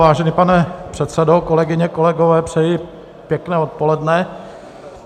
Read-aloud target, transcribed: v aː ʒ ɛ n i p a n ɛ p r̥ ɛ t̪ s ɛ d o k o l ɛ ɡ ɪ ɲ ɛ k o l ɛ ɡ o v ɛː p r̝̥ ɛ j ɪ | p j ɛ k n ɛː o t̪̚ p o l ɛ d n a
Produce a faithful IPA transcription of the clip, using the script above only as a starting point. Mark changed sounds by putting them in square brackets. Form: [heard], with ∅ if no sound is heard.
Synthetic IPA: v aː ʒ ɛ n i p a n ɛ p r̥ ɛ t̪ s ɛ d o k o l ɛ ɡ ɪ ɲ ɛ k o l ɛ ɡ o v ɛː p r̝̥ ɛ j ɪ | p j ɛ k n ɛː o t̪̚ p o l ɛ d n [ɛ]

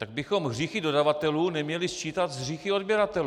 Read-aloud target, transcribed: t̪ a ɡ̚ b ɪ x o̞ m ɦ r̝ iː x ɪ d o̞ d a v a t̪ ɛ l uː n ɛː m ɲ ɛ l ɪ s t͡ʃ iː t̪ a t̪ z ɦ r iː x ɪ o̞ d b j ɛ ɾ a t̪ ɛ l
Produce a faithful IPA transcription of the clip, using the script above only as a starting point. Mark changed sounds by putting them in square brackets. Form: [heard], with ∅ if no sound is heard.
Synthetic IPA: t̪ a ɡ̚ b ɪ x o̞ m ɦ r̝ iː x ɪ d o̞ d a v a t̪ ɛ l uː n [ɛ] m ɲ ɛ l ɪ s t͡ʃ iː t̪ a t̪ z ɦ r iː x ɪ o̞ d b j ɛ ɾ a t̪ ɛ l

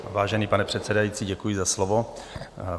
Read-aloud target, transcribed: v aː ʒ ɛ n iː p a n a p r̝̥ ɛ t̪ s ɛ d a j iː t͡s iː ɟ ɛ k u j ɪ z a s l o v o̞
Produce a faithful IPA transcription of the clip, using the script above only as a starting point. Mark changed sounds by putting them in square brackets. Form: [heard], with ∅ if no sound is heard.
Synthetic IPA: v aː ʒ ɛ n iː p a n [ɛ] p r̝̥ ɛ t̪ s ɛ d a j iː t͡s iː ɟ ɛ k u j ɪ z a s l o v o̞

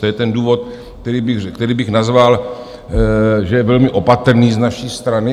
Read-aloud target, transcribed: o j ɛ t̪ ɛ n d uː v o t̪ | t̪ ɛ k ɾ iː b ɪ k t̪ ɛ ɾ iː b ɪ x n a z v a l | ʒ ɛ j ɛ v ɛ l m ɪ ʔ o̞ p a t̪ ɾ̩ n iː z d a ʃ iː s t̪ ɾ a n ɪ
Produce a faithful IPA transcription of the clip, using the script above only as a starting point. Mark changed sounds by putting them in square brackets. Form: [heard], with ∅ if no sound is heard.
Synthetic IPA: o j ɛ t̪ ɛ n d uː v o t̪ | t̪ ɛ [∅] ɾ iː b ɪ k t̪ ɛ ɾ iː b ɪ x n a z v a l | ʒ ɛ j ɛ v ɛ l m ɪ ʔ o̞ p a t̪ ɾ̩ n iː z [n] a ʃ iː s t̪ ɾ a n ɪ

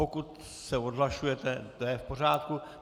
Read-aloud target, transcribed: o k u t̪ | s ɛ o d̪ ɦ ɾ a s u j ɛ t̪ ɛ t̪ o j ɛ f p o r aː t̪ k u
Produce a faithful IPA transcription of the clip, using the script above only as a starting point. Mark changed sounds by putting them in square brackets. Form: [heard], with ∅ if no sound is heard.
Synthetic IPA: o k u t̪ | s ɛ o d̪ ɦ [l] a [ʃ] u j ɛ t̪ ɛ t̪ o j ɛ f p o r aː t̪ k u

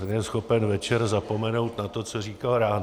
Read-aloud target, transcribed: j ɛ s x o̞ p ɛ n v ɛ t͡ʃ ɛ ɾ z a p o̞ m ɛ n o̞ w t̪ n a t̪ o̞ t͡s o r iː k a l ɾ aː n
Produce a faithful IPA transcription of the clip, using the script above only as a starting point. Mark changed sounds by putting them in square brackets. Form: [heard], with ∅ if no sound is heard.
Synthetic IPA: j ɛ s x o̞ p ɛ n v ɛ t͡ʃ ɛ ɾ z a p o̞ m ɛ n o̞ w t̪ n a t̪ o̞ t͡s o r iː k a l ɾ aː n

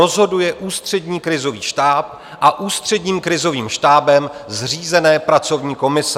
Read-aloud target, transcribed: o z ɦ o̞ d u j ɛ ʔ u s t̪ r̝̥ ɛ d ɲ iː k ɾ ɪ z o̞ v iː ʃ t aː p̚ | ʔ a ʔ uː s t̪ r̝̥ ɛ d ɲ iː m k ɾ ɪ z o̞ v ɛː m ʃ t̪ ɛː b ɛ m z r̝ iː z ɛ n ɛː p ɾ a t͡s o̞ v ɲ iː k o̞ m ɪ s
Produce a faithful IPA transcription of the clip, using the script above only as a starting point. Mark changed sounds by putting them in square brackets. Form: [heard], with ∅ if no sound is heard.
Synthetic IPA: o z ɦ o̞ d u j ɛ ʔ [uː] s t̪ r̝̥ ɛ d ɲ iː k ɾ ɪ z o̞ v iː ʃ t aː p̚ | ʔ a ʔ uː s t̪ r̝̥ ɛ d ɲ iː m k ɾ ɪ z o̞ v [iː] m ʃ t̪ [aː] b ɛ m z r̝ iː z ɛ n ɛː p ɾ a t͡s o̞ v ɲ iː k o̞ m ɪ s

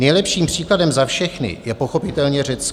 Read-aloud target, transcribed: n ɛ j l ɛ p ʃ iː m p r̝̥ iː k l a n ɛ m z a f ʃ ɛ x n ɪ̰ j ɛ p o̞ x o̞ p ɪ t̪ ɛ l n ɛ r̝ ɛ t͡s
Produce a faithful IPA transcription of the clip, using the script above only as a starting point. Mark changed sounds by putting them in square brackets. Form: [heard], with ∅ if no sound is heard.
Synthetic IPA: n ɛ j l ɛ p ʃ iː m p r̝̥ iː k l a [d] ɛ m z a f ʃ ɛ x n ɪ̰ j ɛ p o̞ x o̞ p ɪ t̪ ɛ l [ɲ] ɛ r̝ ɛ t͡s

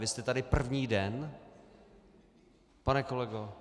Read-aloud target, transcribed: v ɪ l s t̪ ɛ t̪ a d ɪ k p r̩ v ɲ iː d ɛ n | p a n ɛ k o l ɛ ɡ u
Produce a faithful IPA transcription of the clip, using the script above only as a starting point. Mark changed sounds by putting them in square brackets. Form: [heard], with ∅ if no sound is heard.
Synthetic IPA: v ɪ [∅] s t̪ ɛ t̪ a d ɪ [∅] p r̩ v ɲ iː d ɛ n | p a n ɛ k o l ɛ ɡ [o]

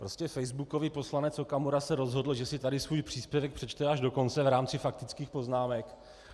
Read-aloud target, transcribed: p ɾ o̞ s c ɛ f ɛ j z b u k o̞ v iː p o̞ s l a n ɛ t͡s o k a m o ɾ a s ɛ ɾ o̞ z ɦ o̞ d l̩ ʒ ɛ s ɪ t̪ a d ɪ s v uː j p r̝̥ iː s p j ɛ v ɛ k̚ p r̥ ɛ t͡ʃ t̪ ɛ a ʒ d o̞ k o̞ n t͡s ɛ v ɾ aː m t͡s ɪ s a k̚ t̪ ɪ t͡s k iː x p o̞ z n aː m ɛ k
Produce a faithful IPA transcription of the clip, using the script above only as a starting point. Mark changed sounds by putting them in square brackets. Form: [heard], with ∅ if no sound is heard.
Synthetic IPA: p ɾ o̞ s c ɛ f ɛ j z b u k o̞ v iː p o̞ s l a n ɛ t͡s o k a m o ɾ a s ɛ ɾ o̞ z ɦ o̞ d l̩ ʒ ɛ s ɪ t̪ a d ɪ s v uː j p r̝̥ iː s p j ɛ v ɛ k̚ p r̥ ɛ t͡ʃ t̪ ɛ a ʒ d o̞ k o̞ n t͡s ɛ v ɾ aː m t͡s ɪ [f] a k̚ t̪ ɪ t͡s k iː x p o̞ z n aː m ɛ k

